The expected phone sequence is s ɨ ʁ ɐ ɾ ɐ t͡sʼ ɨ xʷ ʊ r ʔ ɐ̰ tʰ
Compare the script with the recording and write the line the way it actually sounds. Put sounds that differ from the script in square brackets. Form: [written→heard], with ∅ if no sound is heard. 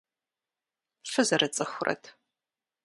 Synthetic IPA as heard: [s→f] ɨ [ʁ→z] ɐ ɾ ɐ t͡sʼ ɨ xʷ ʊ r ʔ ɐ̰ tʰ